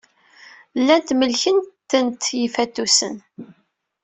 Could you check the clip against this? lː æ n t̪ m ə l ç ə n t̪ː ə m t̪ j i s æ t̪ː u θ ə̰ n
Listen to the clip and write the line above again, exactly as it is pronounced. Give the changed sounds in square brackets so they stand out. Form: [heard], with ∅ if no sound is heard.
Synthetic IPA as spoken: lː æ n t̪ m ə l ç ə n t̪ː ə [n] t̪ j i [f] æ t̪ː u [s] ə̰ n